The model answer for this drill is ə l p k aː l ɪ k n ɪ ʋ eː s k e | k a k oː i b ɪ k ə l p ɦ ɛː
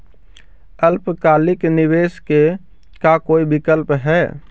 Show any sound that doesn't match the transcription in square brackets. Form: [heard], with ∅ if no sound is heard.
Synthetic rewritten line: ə l p k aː l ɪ k n ɪ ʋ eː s k e | k a k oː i b ɪ k ə l p ɦ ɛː